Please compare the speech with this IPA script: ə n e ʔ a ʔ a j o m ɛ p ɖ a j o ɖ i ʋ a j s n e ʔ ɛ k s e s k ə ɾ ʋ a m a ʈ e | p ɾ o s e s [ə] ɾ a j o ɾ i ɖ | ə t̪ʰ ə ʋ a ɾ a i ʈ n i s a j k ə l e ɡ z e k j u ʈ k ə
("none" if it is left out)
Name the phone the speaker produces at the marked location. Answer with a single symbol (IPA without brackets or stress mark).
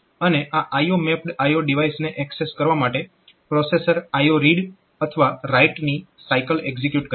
ə